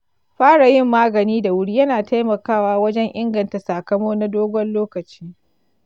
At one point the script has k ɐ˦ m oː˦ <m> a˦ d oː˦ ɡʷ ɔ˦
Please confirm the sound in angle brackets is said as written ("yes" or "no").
no